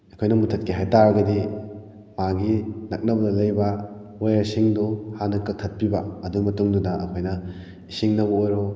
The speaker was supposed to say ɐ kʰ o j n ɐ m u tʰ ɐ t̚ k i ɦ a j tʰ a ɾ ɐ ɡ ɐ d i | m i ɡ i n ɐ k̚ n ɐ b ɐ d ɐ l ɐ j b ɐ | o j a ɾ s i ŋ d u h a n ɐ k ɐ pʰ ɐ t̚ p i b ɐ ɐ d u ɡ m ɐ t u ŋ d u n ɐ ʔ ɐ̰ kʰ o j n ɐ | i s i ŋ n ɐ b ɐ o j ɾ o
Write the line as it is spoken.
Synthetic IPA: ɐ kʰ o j n ɐ m u tʰ ɐ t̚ k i ɦ a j t a ɾ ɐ ɡ ɐ d i | m a ɡ i n ɐ k̚ n ɐ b ɐ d ɐ l ɐ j b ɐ | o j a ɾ s i ŋ d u h a n ɐ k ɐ tʰ ɐ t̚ p i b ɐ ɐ d u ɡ m ɐ t u ŋ d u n ɐ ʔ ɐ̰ kʰ o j n ɐ | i s i ŋ n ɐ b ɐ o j ɾ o